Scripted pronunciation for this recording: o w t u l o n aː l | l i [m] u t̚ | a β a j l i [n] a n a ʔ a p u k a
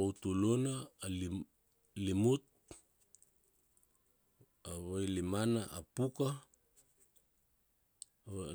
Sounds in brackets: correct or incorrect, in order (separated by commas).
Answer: correct, incorrect